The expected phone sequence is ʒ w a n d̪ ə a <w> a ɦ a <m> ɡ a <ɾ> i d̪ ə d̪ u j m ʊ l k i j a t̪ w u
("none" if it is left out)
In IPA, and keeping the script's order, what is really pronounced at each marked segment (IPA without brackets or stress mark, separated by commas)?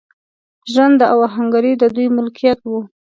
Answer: w, ŋ, ɾ